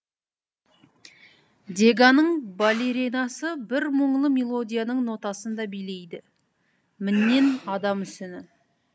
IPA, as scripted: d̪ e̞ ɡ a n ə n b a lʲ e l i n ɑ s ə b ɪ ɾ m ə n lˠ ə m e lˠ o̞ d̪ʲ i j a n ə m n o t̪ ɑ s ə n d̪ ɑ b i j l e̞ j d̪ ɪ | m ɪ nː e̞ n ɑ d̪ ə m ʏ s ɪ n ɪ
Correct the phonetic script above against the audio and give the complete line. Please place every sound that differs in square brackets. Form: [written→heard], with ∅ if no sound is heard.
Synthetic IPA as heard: d̪ e̞ ɡ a n ə [n→ɴ] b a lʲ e [l→ɾ] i n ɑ s ə b ɪ ɾ m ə [n→ɴ] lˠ ə m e lˠ o̞ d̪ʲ i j a n ə [m→ɴ] n o t̪ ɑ s ə n d̪ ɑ b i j l e̞ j d̪ ɪ | m ɪ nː e̞ n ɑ d̪ [ə→ɑ] m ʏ s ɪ n ɪ